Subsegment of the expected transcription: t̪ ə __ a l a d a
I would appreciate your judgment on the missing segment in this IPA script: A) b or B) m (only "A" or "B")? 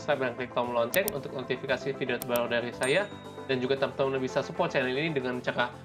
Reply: A